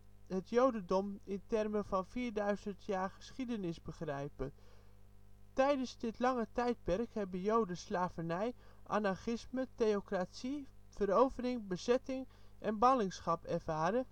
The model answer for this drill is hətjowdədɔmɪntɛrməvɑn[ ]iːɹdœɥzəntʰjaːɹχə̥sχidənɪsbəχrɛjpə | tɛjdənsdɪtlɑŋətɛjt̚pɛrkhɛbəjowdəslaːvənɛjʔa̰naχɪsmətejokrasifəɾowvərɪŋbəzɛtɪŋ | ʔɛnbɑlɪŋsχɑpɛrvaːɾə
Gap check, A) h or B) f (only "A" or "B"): B